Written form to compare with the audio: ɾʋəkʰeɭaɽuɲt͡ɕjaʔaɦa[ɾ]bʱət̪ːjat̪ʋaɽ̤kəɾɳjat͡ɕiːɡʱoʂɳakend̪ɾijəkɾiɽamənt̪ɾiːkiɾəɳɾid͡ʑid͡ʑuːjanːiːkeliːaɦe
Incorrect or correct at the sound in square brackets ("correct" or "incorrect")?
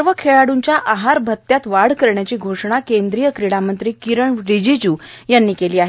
correct